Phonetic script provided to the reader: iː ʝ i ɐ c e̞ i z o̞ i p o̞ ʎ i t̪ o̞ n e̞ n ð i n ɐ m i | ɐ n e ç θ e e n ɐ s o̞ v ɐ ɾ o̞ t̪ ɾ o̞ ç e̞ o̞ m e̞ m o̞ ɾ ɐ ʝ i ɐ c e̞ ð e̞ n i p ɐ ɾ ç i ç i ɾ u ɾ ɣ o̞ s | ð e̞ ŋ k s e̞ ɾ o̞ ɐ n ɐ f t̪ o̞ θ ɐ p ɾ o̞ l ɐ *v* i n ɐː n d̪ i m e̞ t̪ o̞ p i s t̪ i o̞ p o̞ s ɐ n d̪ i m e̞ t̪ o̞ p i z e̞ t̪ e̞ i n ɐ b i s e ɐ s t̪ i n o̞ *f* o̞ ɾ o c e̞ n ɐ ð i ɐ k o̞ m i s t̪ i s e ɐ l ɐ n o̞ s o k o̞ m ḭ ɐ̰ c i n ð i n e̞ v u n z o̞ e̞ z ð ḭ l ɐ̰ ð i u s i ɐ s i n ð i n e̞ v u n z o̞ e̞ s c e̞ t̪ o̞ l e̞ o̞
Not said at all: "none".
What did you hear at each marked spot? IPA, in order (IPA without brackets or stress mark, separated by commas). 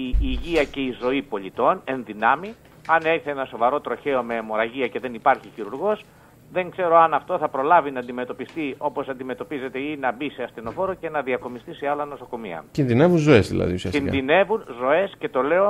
v, f